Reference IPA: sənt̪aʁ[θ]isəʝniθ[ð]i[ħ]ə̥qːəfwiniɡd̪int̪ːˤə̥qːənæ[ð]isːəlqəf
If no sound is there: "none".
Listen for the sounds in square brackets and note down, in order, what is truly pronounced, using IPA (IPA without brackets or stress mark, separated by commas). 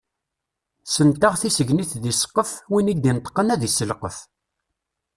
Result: θ, ð, s, ð